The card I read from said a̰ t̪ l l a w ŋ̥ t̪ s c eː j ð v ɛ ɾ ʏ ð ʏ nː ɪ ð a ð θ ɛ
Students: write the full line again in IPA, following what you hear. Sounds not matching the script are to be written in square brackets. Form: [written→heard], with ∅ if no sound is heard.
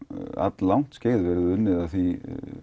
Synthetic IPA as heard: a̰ t̪ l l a w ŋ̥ t̪ s c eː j ð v ɛ ɾ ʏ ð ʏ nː ɪ ð a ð θ [ɛ→i]